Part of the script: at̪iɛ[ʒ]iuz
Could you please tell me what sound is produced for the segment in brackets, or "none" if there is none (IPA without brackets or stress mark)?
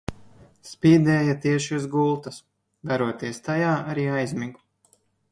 ʃ